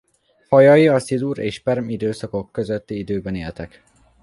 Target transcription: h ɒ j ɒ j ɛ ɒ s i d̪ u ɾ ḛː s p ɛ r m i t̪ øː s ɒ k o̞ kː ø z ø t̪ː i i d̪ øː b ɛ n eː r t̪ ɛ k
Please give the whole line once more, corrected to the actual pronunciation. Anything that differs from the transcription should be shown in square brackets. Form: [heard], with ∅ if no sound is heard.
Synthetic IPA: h ɒ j ɒ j [i] ɒ s i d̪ u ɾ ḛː [ʃ] p ɛ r m i [d̪] øː s ɒ k o̞ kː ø z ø t̪ː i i d̪ øː b ɛ n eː [l] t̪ ɛ k